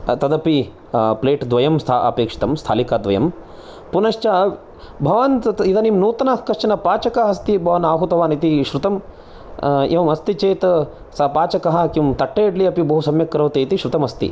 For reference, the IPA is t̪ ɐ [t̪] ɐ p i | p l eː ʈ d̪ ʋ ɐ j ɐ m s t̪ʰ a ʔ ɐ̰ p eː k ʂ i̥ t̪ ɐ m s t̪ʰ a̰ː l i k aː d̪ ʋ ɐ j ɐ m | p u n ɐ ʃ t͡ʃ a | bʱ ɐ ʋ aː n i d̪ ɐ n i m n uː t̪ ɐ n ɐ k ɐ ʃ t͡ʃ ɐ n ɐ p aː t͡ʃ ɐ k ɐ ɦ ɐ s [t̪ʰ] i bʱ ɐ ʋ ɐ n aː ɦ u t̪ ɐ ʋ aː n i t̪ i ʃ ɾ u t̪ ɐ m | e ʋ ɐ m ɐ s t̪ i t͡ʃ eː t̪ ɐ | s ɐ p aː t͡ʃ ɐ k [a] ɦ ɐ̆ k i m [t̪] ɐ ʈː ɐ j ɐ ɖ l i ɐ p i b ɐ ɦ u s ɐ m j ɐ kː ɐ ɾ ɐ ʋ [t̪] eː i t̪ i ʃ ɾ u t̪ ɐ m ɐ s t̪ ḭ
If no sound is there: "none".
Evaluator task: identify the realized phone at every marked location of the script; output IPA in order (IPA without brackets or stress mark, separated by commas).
d̪, t̪, ɐ, t̪, t̪